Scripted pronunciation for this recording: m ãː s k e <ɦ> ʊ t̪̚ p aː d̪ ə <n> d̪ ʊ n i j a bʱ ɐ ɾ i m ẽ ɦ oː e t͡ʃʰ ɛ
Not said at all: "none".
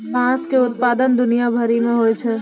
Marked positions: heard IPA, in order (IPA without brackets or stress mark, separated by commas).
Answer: none, n